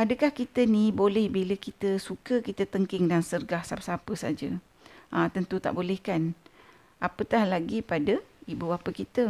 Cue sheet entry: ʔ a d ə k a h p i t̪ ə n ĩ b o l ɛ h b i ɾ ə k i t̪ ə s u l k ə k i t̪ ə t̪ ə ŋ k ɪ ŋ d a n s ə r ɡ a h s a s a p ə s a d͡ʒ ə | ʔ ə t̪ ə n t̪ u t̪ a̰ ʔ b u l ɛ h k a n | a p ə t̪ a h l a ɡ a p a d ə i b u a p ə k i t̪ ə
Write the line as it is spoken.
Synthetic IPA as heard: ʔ a d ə k a h k i t̪ ə n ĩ b o l ɛ h b i l ə k i t̪ ə s u k ə k i t̪ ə t̪ ə ŋ k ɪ ŋ d a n s ə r ɡ a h s a s a p ə s a d͡ʒ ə | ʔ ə t̪ ə n t̪ u t̪ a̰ ʔ b o l ɛ h k a n | a p ə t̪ a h l a ɡ i p a d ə i b u a p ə k i t̪ ə